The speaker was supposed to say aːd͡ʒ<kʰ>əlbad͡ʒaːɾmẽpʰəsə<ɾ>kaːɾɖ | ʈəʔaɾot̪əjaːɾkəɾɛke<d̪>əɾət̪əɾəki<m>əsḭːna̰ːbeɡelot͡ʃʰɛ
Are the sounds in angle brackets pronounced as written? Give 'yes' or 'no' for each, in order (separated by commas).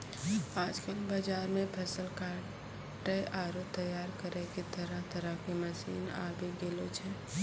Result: no, no, no, yes